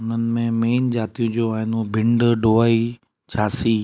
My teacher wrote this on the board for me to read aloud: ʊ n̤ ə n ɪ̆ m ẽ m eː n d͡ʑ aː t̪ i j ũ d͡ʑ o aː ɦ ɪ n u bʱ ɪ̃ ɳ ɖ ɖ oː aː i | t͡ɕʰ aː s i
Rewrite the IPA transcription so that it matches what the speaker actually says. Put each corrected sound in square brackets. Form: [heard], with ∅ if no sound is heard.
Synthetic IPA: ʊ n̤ ə n ɪ̆ m ẽ m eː n d͡ʑ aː t̪ i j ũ d͡ʑ o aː ɦ ɪ n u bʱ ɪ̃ ɳ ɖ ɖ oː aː i | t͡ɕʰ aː s i